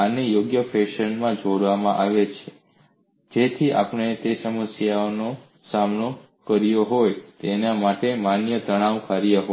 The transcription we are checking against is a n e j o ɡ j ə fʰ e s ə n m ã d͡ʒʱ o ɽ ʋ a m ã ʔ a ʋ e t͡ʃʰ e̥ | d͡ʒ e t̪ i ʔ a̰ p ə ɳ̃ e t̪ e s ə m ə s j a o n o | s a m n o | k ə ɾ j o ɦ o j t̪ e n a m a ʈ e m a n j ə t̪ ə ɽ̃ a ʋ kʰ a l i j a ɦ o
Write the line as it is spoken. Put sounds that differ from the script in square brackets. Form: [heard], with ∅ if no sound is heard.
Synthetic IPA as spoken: a n e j o ɡ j ə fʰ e [ʃ] ə n m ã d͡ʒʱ o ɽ ʋ a m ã ʔ a ʋ e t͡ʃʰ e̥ | d͡ʒ e [t̪ʰ] i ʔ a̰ p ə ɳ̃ e t̪ e s ə m ə s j a o n o | s a m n o | k ə ɾ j o ɦ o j t̪ e n a m a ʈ e m a n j ə t̪ ə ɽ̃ a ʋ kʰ a [ɾ] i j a ɦ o